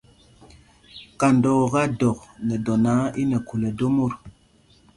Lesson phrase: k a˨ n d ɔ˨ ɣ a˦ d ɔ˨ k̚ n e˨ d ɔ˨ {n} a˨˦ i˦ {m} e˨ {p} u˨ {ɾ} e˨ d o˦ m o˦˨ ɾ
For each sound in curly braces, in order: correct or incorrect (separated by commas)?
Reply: correct, incorrect, incorrect, incorrect